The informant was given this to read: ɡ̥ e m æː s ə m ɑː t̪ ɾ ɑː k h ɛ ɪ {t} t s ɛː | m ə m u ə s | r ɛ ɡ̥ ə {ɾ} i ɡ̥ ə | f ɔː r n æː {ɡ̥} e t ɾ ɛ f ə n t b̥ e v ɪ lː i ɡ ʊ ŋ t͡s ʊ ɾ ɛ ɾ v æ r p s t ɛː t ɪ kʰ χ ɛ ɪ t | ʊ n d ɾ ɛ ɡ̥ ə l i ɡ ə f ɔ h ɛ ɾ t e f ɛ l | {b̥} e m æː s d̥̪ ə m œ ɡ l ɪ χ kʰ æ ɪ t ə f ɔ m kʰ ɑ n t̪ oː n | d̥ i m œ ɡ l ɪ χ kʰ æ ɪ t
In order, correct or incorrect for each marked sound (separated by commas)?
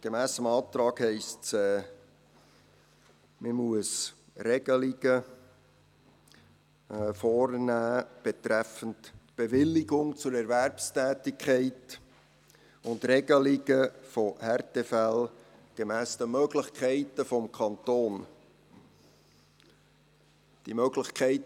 incorrect, incorrect, incorrect, incorrect